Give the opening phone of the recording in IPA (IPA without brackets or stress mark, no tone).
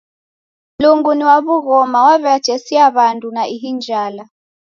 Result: l